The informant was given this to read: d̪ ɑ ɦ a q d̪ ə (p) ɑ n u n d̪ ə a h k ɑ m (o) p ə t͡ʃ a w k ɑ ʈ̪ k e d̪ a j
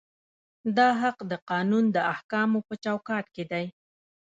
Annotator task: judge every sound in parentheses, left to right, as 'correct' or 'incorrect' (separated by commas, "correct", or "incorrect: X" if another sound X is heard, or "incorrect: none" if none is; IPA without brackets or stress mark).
incorrect: q, correct